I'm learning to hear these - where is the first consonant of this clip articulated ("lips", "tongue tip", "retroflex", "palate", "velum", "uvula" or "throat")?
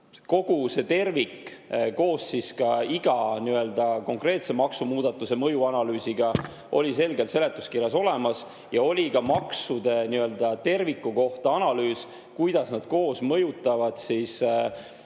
velum